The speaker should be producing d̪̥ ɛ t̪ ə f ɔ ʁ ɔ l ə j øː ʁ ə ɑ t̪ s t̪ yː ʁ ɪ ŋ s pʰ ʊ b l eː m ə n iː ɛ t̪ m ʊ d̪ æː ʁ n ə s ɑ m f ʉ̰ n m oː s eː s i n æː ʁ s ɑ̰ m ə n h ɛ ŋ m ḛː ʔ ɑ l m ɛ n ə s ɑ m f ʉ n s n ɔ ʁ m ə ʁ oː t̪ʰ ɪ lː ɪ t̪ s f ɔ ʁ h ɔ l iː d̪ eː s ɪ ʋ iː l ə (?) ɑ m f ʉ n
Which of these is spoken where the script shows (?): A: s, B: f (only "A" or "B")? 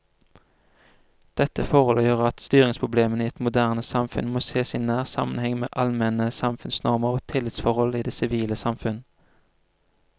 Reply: A